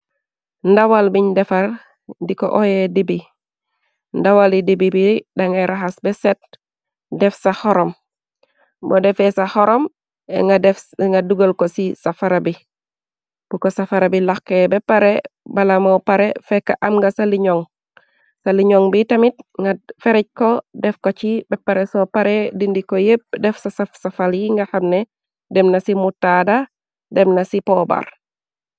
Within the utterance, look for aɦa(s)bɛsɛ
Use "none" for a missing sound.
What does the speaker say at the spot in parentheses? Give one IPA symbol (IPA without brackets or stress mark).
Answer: s